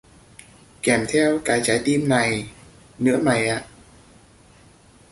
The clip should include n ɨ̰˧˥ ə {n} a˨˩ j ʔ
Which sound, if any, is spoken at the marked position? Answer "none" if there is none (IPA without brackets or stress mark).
m